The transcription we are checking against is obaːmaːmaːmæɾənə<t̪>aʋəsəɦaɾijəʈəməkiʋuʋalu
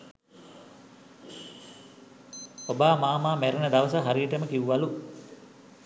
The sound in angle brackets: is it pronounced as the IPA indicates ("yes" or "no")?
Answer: no